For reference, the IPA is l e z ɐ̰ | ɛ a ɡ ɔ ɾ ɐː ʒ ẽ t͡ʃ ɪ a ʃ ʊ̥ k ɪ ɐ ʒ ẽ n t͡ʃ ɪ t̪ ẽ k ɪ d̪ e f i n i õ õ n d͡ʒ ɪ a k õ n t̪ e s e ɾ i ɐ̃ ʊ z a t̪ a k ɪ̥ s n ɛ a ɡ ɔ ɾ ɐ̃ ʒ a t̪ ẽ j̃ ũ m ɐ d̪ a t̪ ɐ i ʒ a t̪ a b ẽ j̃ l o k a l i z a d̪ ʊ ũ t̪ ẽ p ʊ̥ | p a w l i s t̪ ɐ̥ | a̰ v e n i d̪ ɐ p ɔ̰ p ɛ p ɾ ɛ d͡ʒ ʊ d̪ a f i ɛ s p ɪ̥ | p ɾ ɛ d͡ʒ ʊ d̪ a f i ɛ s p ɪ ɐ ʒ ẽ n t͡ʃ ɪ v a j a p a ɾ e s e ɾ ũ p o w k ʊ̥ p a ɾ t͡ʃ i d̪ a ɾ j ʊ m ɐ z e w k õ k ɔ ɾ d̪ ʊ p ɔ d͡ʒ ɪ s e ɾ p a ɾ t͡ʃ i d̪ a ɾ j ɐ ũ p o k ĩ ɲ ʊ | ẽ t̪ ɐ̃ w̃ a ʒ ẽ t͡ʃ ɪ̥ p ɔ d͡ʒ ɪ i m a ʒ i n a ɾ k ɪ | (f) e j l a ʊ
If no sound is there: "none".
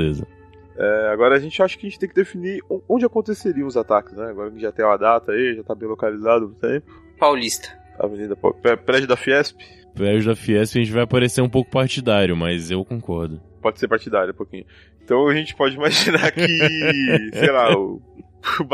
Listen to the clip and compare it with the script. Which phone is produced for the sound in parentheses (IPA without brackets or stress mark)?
s